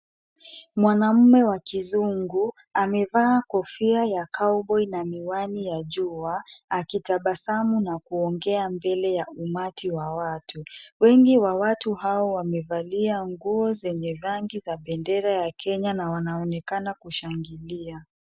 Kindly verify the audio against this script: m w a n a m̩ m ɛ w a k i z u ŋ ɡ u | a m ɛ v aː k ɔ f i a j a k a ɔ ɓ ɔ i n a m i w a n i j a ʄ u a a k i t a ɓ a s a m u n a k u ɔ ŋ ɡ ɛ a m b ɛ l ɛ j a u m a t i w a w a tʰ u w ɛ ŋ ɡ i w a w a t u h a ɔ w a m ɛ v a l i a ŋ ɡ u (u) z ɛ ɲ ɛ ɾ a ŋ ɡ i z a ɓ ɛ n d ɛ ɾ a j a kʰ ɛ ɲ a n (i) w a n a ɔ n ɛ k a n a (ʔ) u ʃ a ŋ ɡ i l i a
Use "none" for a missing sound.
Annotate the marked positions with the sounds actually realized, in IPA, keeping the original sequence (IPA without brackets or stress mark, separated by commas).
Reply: ɔ, a, k